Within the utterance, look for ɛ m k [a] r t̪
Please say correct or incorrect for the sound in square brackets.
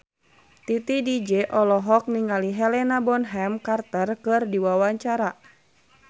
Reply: correct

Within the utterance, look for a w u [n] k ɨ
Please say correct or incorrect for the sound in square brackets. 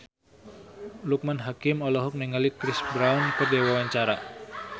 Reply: correct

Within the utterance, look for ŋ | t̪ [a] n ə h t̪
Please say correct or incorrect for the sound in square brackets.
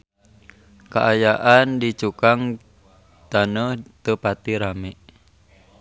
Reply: correct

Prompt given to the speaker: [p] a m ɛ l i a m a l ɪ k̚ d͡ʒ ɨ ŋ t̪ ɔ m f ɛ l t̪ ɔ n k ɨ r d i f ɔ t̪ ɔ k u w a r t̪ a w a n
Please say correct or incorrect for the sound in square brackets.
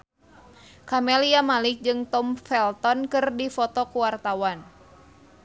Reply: incorrect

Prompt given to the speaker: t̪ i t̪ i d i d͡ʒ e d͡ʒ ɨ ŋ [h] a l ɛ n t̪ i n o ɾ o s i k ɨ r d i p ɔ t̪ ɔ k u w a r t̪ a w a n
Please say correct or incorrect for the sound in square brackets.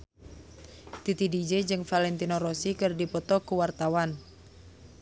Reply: incorrect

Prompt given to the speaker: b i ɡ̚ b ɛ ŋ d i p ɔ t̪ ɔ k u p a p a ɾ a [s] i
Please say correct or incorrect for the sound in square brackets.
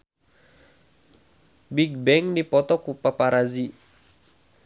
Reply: incorrect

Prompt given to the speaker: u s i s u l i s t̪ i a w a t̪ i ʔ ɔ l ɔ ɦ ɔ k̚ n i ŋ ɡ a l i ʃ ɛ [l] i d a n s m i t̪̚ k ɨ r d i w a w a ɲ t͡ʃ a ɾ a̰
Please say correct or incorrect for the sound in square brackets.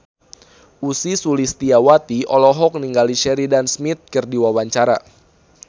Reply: incorrect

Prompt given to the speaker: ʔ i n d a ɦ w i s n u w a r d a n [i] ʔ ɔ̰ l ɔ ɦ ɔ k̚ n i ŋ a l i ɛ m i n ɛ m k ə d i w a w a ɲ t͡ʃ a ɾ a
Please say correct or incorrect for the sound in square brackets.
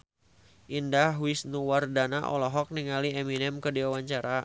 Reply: incorrect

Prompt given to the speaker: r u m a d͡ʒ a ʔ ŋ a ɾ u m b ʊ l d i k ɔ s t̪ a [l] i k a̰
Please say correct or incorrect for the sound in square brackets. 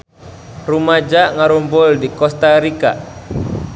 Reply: incorrect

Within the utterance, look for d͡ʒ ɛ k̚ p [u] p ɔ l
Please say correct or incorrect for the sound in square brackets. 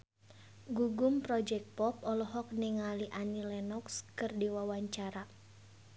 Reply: incorrect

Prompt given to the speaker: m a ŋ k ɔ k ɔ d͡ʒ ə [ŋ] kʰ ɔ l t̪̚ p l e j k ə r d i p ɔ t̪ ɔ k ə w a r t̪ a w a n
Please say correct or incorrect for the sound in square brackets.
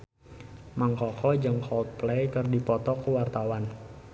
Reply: correct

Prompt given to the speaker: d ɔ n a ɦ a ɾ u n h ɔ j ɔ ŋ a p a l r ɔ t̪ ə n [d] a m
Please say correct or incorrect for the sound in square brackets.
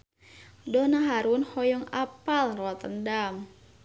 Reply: correct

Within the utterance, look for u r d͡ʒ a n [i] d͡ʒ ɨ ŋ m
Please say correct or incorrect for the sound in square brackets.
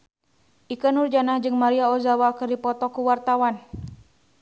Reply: incorrect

